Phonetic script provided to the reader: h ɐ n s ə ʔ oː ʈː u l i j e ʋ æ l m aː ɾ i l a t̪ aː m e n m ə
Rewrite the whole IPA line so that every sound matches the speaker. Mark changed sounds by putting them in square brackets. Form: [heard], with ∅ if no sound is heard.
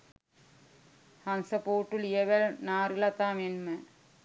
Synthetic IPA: h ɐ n s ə [p] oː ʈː u l i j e ʋ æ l [n] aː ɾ i l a t̪ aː m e n m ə